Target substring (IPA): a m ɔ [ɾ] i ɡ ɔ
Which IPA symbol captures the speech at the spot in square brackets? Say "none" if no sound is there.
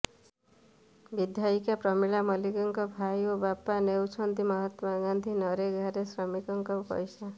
l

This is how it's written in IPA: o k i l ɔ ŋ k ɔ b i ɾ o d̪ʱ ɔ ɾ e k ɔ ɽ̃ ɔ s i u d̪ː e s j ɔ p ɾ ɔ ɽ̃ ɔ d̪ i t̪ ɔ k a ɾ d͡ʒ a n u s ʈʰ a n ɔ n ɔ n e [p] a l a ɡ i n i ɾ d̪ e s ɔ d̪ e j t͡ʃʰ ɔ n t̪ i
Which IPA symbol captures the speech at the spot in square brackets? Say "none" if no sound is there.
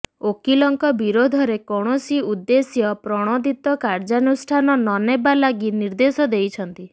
b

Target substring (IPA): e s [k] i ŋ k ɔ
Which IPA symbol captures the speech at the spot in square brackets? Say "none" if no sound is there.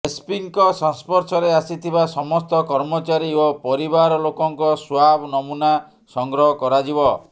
p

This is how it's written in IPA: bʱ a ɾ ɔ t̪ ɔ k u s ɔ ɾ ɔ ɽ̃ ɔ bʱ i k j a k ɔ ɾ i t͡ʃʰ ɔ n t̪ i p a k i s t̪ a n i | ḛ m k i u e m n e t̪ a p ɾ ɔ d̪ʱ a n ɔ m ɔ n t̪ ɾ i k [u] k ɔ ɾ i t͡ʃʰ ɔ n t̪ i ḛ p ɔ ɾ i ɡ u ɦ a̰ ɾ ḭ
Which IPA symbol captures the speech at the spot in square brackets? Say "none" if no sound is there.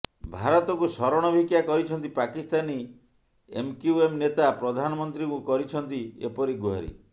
u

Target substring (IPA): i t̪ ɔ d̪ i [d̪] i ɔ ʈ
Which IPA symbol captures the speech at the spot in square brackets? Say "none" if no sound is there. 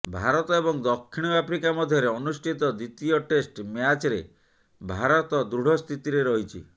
t̪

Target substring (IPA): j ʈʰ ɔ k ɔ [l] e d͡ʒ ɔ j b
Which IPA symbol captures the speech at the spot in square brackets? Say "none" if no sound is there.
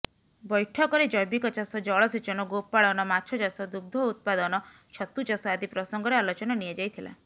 ɾ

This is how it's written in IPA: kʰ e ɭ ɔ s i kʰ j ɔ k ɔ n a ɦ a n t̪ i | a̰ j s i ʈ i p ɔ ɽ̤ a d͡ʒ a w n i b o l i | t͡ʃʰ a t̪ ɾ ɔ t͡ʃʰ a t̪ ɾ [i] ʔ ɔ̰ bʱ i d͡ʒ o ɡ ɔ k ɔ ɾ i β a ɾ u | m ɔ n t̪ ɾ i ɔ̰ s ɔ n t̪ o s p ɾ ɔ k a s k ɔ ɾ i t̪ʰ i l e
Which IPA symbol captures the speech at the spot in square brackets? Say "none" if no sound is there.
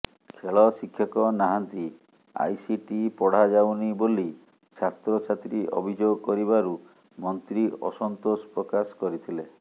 i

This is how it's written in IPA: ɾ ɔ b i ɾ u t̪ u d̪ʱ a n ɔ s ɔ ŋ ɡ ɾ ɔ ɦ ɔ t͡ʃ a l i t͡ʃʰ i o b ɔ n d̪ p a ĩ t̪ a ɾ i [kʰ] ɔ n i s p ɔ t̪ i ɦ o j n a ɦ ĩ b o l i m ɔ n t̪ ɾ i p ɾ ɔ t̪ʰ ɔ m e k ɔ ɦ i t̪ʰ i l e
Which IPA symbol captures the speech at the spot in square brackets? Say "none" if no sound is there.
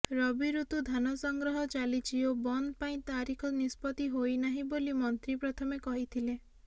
kʰ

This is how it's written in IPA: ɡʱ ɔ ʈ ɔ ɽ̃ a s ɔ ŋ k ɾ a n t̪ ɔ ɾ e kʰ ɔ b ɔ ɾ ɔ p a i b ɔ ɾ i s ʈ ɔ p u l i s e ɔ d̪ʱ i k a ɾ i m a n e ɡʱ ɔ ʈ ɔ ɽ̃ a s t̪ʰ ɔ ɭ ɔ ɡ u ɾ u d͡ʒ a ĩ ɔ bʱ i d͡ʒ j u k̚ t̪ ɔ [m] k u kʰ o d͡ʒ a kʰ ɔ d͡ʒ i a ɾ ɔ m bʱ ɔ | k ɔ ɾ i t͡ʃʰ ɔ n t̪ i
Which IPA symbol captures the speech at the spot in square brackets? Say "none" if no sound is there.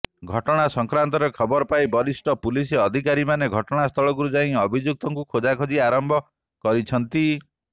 ŋ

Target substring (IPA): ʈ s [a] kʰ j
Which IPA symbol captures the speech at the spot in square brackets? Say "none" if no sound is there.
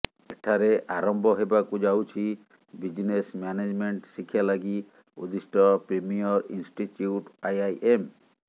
i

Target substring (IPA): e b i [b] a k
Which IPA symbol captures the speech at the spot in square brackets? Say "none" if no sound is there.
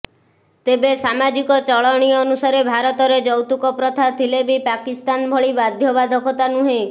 p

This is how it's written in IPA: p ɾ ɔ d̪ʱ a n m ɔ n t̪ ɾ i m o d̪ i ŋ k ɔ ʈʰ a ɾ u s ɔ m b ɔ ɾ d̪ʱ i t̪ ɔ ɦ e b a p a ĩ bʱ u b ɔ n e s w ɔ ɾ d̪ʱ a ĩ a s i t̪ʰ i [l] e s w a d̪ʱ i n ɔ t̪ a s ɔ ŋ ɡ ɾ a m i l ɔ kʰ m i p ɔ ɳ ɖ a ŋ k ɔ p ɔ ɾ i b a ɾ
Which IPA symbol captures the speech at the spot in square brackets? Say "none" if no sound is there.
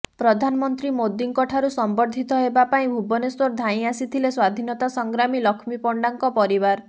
l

